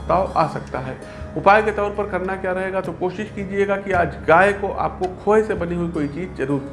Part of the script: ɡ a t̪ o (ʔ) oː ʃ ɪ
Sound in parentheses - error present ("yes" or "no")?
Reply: yes